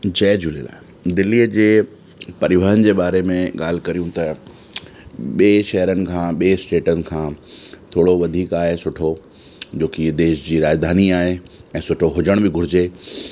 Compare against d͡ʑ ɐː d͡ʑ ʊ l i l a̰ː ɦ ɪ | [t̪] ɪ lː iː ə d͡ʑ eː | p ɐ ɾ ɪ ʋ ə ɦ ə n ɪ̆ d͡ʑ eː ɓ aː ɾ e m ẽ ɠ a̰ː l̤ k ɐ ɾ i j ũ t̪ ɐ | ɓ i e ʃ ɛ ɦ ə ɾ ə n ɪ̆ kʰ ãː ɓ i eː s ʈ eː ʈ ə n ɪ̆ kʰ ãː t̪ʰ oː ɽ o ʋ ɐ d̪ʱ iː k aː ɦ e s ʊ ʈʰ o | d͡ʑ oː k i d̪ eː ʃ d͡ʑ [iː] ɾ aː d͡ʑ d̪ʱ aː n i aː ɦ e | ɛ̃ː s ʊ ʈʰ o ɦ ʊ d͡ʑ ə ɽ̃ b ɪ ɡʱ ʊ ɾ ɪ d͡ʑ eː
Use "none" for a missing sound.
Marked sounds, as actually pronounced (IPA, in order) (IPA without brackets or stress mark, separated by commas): d̪, iː